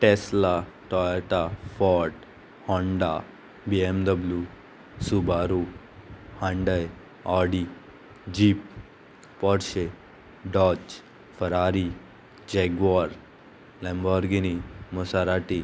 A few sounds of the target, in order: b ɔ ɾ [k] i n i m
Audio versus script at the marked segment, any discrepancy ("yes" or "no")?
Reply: yes